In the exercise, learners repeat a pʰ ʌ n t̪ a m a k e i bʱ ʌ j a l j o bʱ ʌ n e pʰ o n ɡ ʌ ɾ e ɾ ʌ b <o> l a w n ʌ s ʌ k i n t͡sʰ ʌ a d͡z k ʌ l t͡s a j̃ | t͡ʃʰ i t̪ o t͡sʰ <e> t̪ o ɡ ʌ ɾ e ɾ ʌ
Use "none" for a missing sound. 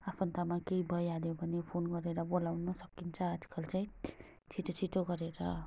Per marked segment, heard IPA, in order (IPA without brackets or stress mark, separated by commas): o, i